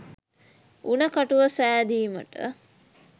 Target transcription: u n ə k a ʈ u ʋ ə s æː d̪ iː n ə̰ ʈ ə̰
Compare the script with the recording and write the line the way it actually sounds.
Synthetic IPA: u n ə k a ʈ u ʋ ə s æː d̪ iː m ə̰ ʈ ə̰